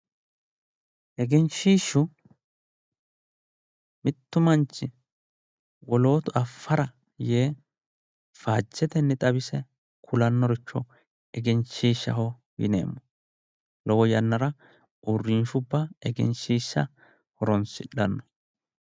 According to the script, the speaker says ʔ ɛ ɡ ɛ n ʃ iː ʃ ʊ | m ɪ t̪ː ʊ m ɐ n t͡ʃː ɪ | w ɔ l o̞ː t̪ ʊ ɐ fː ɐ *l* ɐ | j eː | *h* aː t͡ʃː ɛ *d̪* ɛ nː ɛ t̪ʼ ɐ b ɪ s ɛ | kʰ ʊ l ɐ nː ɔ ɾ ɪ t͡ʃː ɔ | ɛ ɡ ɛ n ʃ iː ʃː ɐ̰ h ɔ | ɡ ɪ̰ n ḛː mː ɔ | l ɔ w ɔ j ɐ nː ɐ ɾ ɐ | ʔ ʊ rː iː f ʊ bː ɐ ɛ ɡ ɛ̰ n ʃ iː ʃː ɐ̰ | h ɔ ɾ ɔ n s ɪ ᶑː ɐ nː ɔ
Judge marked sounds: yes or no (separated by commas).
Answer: no, no, no